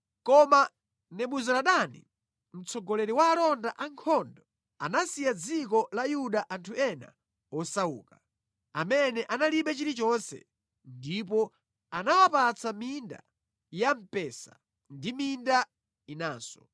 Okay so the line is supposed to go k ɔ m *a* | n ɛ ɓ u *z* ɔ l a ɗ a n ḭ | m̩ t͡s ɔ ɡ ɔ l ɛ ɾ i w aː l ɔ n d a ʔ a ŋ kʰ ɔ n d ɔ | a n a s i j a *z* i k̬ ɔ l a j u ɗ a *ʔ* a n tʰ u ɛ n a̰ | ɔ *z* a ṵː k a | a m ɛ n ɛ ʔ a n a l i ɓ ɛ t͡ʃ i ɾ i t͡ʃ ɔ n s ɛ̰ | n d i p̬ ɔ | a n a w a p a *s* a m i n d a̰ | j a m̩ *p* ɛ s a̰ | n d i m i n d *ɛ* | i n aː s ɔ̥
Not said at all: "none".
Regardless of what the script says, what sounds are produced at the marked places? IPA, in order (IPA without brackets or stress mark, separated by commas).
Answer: a, z, d͡z, ʔ, s, t͡s, p, a